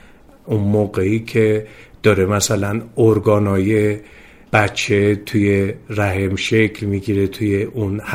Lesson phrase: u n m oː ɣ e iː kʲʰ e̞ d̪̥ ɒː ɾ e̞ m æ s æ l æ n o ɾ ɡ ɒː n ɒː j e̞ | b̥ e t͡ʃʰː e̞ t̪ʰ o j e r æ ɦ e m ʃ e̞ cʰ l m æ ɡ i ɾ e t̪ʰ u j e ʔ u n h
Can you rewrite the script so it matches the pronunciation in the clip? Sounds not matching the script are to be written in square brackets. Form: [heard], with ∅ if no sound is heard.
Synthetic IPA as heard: u n m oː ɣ e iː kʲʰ e̞ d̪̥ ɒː ɾ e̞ m æ s æ l æ n o ɾ ɡ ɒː n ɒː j e̞ | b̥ [æ] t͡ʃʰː e̞ t̪ʰ [u] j e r æ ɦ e m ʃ e̞ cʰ l m [i] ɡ i ɾ e t̪ʰ u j e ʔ u n h